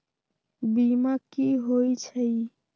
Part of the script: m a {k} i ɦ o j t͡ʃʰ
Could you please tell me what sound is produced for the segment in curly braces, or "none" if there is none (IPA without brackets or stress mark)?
k